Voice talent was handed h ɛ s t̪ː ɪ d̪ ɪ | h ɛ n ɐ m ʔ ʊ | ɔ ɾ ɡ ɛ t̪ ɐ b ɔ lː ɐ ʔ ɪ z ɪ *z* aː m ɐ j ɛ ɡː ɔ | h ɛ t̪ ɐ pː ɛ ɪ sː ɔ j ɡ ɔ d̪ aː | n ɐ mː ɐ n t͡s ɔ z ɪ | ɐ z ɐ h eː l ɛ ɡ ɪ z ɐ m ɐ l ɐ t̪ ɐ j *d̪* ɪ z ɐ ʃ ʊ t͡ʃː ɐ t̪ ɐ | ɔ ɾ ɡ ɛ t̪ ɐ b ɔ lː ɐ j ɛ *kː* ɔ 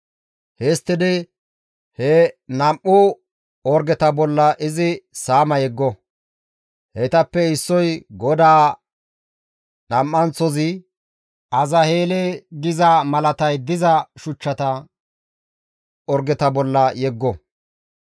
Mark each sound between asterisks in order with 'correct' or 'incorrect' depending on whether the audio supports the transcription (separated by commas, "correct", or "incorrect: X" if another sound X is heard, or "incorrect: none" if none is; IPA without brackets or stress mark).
incorrect: s, correct, incorrect: ɡː